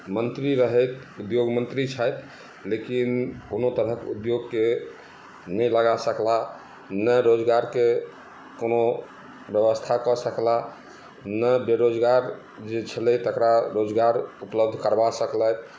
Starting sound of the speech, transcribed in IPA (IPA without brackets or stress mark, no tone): m